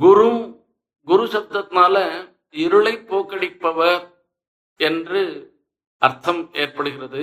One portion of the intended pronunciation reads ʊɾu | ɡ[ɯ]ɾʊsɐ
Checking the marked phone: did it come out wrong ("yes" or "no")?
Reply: yes